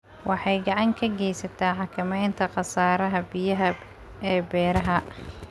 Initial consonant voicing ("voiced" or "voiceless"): voiced